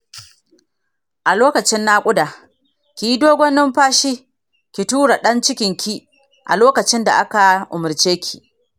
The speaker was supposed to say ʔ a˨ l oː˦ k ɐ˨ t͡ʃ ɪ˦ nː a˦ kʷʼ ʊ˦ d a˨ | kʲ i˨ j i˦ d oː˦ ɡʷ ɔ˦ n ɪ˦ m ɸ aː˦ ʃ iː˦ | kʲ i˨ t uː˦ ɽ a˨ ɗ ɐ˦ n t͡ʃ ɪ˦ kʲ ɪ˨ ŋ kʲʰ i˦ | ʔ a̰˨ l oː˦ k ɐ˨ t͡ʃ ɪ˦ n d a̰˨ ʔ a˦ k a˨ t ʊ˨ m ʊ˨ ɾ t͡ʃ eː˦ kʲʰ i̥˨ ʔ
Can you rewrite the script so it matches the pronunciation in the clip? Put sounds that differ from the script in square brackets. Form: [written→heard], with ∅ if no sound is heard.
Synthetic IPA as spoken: ʔ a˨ l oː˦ k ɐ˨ t͡ʃ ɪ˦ nː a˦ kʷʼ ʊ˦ d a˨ | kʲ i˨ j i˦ d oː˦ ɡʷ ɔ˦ n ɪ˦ m ɸ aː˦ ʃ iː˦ | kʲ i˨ t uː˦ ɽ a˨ ɗ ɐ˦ n t͡ʃ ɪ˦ kʲ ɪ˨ ŋ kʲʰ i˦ | ʔ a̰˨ l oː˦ k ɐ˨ t͡ʃ ɪ˦ n d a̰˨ ʔ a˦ k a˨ [t→ʔ] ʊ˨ m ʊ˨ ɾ t͡ʃ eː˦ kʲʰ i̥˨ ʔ